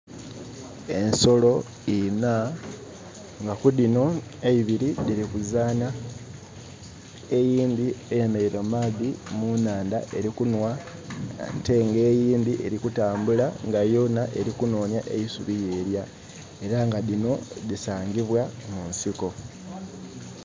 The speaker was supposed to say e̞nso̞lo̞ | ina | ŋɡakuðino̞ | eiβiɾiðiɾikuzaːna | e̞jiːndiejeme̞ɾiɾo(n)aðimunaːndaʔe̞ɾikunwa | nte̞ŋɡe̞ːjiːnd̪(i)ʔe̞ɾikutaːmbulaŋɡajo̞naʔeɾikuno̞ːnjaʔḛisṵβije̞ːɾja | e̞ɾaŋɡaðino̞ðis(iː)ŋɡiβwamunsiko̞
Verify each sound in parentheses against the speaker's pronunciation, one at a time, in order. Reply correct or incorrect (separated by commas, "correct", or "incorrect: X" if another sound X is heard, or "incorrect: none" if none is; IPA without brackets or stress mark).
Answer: incorrect: m, correct, incorrect: aː